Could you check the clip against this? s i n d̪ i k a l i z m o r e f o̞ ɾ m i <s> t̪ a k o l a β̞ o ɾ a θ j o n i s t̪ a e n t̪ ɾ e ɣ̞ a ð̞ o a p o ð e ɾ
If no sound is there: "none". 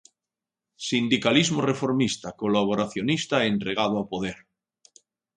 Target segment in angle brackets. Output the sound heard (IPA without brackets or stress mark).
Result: s